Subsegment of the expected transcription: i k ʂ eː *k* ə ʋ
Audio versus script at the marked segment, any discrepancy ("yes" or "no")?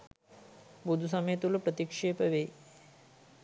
yes